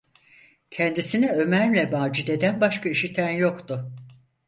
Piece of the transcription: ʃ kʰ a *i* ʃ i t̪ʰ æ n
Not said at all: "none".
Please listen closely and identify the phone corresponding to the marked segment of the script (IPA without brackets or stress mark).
i